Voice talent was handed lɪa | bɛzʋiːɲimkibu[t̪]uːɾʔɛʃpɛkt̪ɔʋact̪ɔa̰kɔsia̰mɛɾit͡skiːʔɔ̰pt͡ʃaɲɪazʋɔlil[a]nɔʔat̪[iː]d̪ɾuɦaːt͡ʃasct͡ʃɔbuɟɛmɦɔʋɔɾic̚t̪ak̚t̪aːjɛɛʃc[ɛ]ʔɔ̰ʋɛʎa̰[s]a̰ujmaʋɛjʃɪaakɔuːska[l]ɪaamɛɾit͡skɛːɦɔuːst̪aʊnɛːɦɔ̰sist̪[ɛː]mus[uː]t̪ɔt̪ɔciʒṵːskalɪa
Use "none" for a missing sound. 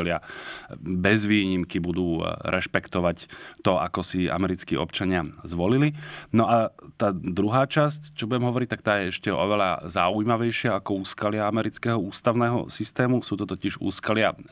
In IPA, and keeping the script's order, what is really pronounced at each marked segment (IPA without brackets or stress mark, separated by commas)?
d̪, i, aː, ɛ, z, l, ɛː, uː